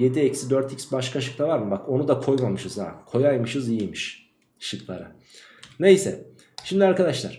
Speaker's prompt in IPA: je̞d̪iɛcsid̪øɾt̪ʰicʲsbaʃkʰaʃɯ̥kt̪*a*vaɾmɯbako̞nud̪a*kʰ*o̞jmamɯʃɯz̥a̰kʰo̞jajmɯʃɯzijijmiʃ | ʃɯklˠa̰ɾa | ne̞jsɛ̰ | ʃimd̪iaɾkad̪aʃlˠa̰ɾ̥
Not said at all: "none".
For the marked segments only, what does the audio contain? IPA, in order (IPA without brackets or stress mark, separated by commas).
a, kʰ